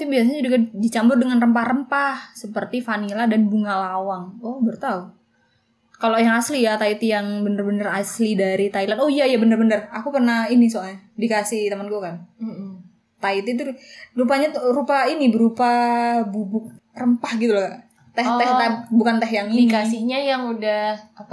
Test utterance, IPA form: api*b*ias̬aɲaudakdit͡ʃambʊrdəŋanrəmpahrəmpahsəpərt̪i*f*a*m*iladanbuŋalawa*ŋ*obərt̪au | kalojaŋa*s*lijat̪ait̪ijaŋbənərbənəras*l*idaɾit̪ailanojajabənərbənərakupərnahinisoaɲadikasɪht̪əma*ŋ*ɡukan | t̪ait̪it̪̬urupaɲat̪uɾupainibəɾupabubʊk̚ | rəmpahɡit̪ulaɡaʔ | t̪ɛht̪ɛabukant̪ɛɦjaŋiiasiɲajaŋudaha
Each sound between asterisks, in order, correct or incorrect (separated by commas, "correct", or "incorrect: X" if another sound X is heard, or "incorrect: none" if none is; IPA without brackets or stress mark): correct, correct, incorrect: n, correct, correct, correct, incorrect: n